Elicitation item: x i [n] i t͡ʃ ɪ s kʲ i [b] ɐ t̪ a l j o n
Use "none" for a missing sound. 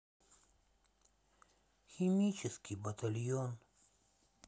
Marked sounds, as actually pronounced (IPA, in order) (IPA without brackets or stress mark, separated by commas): m, b